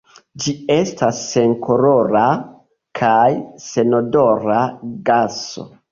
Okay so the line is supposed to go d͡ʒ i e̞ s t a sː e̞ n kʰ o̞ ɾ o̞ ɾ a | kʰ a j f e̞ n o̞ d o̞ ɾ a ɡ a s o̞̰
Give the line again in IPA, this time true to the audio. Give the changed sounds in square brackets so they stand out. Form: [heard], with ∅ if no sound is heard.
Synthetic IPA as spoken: d͡ʒ i e̞ s t a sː e̞ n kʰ o̞ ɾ o̞ ɾ a | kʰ a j [s] e̞ n o̞ d o̞ ɾ a ɡ a s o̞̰